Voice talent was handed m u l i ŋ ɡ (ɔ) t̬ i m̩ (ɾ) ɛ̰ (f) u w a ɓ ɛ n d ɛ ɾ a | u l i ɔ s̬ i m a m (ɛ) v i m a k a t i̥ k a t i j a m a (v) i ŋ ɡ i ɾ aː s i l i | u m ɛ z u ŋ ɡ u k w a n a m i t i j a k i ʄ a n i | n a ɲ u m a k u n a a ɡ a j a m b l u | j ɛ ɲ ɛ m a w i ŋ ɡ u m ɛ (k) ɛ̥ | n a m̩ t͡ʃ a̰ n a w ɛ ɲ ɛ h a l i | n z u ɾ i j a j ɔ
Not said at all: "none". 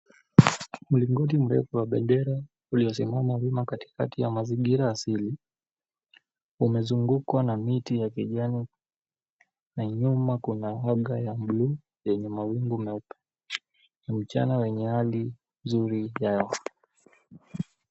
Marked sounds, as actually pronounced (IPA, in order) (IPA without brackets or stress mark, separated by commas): ɔ, ɾ, f, a, z, p